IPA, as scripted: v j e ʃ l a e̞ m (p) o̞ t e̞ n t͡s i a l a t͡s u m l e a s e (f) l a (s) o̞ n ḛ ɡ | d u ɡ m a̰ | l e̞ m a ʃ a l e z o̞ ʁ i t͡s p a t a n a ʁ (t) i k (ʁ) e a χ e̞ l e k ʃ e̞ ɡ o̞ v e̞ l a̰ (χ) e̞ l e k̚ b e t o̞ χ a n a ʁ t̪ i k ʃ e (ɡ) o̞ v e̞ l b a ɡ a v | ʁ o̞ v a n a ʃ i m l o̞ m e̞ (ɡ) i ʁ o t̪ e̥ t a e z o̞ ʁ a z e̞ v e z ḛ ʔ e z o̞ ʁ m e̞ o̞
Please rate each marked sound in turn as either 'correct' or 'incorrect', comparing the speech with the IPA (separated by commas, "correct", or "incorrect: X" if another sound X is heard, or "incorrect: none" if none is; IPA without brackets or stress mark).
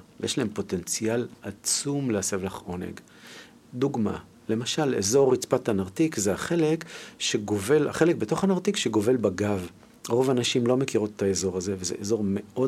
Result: correct, incorrect: v, incorrect: χ, correct, incorrect: z, correct, correct, incorrect: k